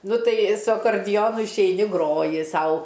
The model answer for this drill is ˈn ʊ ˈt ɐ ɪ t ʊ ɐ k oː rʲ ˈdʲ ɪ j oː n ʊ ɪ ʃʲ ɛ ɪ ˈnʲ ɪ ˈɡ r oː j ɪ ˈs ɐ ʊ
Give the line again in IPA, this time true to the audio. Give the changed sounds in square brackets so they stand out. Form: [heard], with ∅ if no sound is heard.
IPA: ˈn ʊ ˈt ɐ ɪ [s] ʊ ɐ k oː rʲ ˈdʲ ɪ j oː n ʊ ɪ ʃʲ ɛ ɪ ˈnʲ ɪ ˈɡ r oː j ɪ ˈs ɐ ʊ